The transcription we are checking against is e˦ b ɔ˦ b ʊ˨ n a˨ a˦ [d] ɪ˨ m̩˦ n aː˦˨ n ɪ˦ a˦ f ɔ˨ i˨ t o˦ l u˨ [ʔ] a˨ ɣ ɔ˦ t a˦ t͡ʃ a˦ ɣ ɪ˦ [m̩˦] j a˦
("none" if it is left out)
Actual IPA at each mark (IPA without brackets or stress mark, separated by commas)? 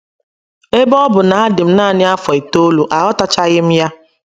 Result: d, ʔ, m̩˦